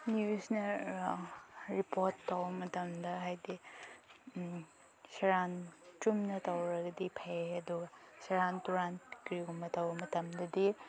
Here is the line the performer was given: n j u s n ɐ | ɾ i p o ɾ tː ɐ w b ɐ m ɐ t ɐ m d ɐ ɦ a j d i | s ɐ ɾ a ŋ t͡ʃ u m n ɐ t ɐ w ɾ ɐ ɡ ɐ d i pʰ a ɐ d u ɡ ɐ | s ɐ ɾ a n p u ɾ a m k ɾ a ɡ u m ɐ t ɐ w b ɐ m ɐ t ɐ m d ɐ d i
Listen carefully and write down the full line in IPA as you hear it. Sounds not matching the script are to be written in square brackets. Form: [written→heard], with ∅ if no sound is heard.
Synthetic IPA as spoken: n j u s n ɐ | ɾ i p o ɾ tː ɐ w b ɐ m ɐ t ɐ m d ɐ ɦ a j d i | s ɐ ɾ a [ŋ→n] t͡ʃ u m n ɐ t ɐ w ɾ ɐ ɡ ɐ d i pʰ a ɐ d u ɡ ɐ | s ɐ ɾ a n [p→t] u ɾ a [m→n] k ɾ [a→i] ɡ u m ɐ t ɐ w b ɐ m ɐ t ɐ m d ɐ d i